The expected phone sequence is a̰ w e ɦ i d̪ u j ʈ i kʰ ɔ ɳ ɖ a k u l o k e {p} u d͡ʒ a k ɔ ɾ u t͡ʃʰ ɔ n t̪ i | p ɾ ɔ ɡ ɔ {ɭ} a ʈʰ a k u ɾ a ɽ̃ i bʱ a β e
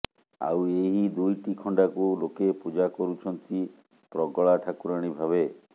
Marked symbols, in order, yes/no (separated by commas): yes, yes